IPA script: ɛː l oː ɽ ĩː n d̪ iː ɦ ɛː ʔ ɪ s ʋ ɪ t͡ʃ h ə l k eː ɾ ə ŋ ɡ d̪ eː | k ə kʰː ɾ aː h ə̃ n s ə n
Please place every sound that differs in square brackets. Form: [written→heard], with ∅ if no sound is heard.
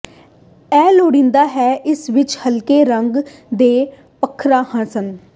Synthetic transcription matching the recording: ɛː l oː ɽ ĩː n d̪ [iː→aː] ɦ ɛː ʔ ɪ s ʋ ɪ t͡ʃ h ə l k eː ɾ ə ŋ ɡ d̪ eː | [k→p] ə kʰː ɾ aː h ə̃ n s ə n